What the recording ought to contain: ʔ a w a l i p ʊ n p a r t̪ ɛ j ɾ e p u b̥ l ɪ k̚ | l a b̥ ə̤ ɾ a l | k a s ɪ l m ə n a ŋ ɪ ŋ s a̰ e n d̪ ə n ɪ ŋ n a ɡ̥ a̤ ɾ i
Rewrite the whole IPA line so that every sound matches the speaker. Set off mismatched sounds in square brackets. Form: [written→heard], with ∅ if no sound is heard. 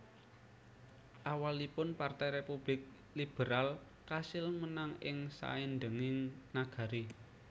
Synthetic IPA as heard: ʔ a w a l i p ʊ n p a r t̪ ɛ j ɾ e p u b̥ l ɪ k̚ | l [a→i] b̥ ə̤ ɾ a l | k a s ɪ l m ə n a ŋ ɪ ŋ s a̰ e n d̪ ə [n→ŋ] ɪ ŋ n a ɡ̥ a̤ ɾ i